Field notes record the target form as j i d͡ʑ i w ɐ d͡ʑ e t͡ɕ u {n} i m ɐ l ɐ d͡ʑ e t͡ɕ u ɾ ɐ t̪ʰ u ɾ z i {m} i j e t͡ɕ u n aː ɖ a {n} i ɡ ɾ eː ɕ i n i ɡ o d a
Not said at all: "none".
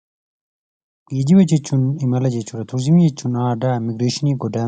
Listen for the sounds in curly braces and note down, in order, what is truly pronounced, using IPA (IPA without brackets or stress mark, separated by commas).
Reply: n, m, m